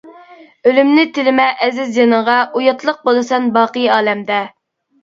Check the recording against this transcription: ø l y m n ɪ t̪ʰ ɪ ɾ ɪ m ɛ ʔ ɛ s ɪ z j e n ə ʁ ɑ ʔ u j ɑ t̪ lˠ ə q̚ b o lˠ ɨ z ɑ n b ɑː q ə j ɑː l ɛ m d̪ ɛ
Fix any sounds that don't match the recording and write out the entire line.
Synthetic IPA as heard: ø l y m n ɪ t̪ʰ ɪ l ɪ m ɛ ʔ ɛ z ɪ z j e n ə ʁ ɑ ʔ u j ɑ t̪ lˠ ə q̚ b o lˠ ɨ s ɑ n b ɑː q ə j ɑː l ɛ m d̪ ɛ